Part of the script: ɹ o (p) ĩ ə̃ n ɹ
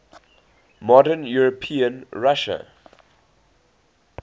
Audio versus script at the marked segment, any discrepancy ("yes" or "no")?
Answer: yes